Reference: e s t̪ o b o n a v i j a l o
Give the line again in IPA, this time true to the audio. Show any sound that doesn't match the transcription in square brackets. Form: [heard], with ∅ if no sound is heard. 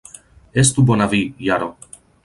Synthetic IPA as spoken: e s t̪ [u] b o n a v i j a [ɾ] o